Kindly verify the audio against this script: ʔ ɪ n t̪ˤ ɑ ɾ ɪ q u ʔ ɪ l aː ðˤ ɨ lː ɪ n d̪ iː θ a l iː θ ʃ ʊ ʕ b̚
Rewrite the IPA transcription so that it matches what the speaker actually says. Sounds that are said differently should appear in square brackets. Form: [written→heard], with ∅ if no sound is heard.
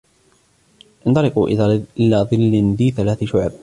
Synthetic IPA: ʔ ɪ n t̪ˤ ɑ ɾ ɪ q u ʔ ɪ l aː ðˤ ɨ lː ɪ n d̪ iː θ a l [iː→aː] θ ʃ ʊ ʕ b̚